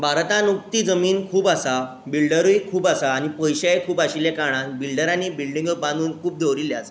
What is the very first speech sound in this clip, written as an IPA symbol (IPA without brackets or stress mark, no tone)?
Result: bʱ